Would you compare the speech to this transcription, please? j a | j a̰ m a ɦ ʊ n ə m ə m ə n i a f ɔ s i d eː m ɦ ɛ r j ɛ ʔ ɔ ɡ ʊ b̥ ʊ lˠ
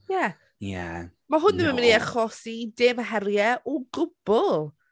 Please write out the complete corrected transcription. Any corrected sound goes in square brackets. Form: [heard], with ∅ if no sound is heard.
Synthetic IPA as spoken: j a | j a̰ m a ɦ ʊ n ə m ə m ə n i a [χ] ɔ s i d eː m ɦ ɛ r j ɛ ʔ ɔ ɡ ʊ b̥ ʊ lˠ

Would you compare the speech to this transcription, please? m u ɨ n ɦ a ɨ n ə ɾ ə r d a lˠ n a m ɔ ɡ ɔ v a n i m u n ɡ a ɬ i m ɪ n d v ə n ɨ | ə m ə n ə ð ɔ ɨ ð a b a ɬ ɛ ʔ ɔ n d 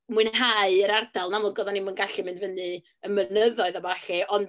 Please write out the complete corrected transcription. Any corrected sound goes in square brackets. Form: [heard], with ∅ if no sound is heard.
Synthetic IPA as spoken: m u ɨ n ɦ a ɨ [∅] ə ɾ [a] r d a lˠ n a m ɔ ɡ ɔ [ð] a n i m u n ɡ a ɬ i m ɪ n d v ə n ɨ | ə m ə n ə ð ɔ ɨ ð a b a ɬ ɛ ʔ ɔ n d

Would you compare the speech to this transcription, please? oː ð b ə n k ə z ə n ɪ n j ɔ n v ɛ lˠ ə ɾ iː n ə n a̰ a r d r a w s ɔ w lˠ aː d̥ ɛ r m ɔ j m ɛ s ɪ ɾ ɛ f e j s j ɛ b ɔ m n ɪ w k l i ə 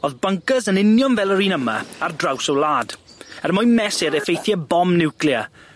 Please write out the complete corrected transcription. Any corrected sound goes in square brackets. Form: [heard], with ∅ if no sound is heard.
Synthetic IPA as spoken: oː ð b ə [ŋ] k ə z ə n ɪ n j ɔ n v ɛ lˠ ə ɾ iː n ə [m] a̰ a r d r a w s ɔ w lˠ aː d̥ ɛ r m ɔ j m ɛ s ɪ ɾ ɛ f e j [θ] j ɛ b ɔ m n ɪ w k l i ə

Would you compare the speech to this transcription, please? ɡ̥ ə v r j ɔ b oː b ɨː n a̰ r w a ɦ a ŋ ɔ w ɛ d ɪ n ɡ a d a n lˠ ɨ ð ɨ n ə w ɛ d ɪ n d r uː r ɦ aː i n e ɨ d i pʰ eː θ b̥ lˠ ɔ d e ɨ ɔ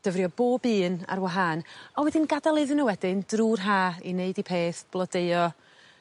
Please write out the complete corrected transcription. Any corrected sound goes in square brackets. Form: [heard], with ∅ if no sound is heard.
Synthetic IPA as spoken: [d̥] ə v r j ɔ b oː b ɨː n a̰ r w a ɦ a [n] ɔ w ɛ d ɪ n ɡ a d a [∅] lˠ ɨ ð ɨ n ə w ɛ d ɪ n d r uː r ɦ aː i n e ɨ d i pʰ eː θ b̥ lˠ ɔ d e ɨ ɔ

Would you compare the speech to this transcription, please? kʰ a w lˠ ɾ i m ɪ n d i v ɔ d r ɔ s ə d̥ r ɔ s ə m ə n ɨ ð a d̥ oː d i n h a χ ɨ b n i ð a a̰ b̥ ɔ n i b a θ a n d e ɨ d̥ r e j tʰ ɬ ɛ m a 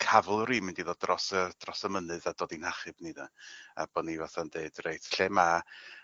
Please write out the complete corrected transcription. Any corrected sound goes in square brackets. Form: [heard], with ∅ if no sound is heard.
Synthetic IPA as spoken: kʰ a [v] lˠ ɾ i m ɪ n d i [ð] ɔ d r ɔ s ə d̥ r ɔ s ə m ə n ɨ ð a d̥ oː d i n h a χ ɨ b n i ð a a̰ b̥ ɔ n i [v] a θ a n d e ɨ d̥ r e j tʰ ɬ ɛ m a

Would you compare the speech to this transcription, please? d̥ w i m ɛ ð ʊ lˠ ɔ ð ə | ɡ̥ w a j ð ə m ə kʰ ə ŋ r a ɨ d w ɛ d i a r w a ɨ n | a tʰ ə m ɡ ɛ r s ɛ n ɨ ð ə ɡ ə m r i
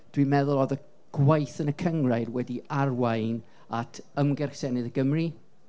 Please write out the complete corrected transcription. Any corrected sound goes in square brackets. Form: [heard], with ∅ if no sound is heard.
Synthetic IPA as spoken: d̥ w i m ɛ ð ʊ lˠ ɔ ð ə | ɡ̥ w a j [θ] ə [n] ə kʰ ə ŋ r a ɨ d w ɛ d i a r w a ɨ n | a tʰ ə m ɡ ɛ r s ɛ n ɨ ð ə ɡ ə m r i

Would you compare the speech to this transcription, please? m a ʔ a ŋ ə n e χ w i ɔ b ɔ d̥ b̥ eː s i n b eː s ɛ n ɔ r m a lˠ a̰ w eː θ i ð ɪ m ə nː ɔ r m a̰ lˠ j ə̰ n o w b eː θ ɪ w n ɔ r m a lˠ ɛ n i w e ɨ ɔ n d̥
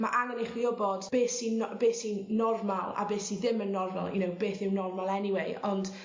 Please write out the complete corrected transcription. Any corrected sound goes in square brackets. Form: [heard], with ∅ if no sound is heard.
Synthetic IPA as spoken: m a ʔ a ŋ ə n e χ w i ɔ b ɔ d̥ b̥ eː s i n b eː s [i] n ɔ r m a lˠ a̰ [b] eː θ i ð ɪ m ə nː ɔ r m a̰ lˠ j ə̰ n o w b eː θ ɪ w n ɔ r m a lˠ ɛ n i w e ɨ ɔ n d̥

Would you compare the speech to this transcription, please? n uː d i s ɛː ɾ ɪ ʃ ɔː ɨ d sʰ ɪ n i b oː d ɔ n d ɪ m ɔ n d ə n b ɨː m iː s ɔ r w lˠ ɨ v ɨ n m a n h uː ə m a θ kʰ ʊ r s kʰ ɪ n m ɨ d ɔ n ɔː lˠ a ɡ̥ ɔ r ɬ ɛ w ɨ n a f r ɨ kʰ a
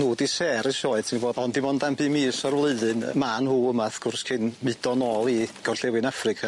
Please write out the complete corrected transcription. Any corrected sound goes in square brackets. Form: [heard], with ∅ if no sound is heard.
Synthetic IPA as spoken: n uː d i s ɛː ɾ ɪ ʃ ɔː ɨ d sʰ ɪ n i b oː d ɔ n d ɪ m ɔ n d [a] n b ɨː m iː s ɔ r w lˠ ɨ [ð] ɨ n m a n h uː ə m a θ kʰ ʊ r s kʰ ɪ n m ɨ d ɔ n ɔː lˠ [i] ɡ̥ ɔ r ɬ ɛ w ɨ n a f r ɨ kʰ a

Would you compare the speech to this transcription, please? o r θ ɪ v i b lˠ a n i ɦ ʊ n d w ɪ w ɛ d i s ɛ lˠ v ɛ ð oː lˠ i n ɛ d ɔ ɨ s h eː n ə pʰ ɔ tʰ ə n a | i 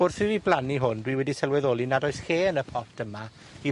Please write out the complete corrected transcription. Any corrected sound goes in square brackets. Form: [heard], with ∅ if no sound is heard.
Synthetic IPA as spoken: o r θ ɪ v i b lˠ a n i ɦ ʊ n d w [i] w ɛ d i s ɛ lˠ [w] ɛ ð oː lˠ i n [a] d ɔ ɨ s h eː n ə pʰ ɔ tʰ ə [m] a | i

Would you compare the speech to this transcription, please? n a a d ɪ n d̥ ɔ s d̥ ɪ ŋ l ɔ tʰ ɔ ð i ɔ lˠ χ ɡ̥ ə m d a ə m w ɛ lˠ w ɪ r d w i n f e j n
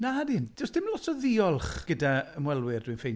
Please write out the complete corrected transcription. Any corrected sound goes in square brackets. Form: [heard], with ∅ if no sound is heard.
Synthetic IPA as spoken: n a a d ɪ n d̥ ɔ s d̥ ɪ [m] l ɔ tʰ ɔ ð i ɔ lˠ χ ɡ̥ ə [∅] d a ə m w ɛ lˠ w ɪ r d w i n f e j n

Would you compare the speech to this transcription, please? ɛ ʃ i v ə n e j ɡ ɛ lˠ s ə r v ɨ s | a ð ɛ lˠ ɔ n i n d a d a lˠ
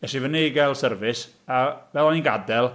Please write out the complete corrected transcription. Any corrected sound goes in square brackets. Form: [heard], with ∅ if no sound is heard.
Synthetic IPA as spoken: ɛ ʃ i v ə n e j ɡ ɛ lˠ s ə r v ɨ s | a [v] ɛ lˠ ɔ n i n [ɡ] a d [ɛ] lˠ

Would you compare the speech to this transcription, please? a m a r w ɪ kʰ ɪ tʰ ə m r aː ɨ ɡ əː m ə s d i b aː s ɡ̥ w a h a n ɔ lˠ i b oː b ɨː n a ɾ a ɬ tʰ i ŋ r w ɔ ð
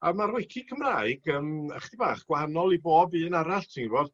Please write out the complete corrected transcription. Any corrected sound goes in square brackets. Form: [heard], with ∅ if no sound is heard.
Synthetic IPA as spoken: a m a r w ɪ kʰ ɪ [kʰ] ə m r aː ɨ ɡ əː m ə [χ] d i b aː [χ] ɡ̥ w a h a n ɔ lˠ i b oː b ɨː n a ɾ a ɬ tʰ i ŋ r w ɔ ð

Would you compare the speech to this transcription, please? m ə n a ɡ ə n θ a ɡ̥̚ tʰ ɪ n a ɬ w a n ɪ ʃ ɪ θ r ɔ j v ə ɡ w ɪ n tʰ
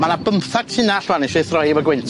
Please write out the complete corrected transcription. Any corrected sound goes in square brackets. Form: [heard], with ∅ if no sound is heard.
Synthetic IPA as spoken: m [a] n a [b] ə [m] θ a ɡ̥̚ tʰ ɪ n a ɬ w a n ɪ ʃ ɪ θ r ɔ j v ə ɡ w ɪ n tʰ

